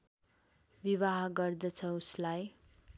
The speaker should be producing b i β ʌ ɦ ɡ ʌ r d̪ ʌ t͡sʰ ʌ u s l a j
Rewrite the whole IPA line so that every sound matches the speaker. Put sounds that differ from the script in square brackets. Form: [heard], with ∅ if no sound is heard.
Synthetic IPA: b i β [a] ɦ ɡ ʌ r d̪ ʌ t͡sʰ ʌ u s l a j